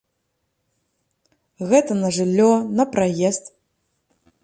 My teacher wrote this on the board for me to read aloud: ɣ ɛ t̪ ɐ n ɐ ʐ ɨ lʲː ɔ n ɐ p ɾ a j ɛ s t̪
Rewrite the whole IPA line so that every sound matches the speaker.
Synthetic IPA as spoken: ɣ ɛ t̪ ɐ n ɐ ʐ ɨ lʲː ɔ n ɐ p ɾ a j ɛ s t̪